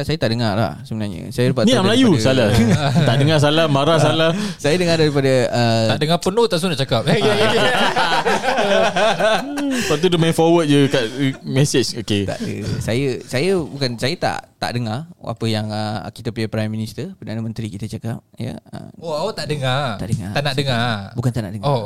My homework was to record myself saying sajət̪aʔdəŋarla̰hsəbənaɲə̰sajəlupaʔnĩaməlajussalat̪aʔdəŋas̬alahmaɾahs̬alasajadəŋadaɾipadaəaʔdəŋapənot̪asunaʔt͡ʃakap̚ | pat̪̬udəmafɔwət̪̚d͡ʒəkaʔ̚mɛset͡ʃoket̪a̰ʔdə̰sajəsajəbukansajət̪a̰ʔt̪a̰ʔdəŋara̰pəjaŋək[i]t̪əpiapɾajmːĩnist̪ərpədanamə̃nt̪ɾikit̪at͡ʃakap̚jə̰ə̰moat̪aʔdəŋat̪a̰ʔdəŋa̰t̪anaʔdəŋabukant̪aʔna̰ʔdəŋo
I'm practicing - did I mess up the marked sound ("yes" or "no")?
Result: no